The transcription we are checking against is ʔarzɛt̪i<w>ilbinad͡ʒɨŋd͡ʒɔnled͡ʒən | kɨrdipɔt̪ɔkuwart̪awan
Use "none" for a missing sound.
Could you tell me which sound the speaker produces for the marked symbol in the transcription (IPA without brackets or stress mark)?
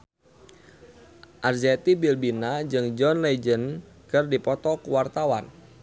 b